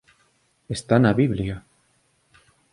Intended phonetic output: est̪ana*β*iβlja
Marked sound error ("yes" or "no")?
no